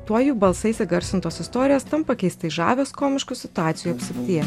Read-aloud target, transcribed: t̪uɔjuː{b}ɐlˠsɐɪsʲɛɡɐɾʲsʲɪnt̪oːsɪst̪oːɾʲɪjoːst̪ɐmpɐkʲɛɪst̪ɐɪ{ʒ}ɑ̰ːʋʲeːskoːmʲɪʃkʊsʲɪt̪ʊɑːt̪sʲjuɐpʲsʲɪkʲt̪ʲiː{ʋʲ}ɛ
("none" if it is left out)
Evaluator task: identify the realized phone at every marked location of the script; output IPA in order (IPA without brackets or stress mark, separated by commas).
b, ʒ, none